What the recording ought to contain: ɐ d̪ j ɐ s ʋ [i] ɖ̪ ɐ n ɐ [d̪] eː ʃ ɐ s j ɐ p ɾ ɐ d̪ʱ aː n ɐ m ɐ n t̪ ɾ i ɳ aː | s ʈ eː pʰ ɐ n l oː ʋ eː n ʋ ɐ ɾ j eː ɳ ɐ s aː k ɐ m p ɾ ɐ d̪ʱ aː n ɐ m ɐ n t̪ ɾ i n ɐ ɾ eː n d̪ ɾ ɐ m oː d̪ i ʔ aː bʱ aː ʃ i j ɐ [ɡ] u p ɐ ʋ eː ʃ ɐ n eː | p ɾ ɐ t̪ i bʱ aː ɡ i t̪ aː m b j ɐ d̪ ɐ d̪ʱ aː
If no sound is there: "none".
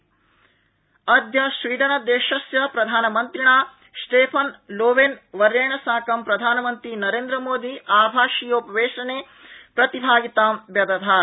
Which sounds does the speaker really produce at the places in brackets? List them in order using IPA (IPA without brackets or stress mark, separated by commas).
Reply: iː, d̪, none